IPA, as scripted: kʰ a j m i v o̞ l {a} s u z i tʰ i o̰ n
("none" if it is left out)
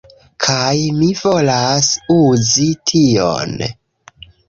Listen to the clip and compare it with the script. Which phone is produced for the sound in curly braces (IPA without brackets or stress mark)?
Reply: a